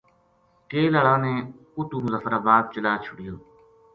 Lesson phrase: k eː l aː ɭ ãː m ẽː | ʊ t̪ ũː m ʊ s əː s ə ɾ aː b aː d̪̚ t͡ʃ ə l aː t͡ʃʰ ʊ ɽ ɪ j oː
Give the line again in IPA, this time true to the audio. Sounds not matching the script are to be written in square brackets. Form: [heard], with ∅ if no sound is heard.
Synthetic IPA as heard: k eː l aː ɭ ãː [n] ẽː | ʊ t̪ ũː m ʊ [z] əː [f] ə ɾ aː b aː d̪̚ t͡ʃ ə l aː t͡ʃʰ ʊ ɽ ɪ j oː